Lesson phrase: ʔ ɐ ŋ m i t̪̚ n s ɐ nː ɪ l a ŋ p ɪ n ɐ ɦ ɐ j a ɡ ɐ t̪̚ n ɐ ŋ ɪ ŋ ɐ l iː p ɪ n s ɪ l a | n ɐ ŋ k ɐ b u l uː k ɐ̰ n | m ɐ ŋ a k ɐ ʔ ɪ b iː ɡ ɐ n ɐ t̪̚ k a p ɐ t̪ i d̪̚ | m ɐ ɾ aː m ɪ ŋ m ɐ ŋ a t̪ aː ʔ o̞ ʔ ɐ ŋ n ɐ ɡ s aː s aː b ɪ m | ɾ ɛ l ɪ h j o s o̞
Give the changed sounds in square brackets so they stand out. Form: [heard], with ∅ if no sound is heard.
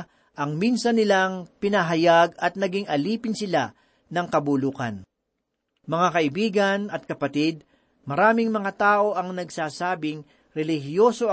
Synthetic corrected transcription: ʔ ɐ ŋ m i [∅] n s ɐ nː ɪ l a ŋ p ɪ n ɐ ɦ ɐ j a ɡ ɐ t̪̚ n ɐ [ɡ] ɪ ŋ ɐ l iː p ɪ n s ɪ l a | n ɐ ŋ k ɐ b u l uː k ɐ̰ n | m ɐ ŋ a k ɐ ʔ ɪ b iː ɡ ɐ n ɐ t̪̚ k [ɐ] p ɐ t̪ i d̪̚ | m ɐ ɾ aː m ɪ ŋ m ɐ ŋ a t̪ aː ʔ o̞ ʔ ɐ ŋ n ɐ ɡ s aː s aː b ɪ [ŋ] | ɾ ɛ l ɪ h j o s o̞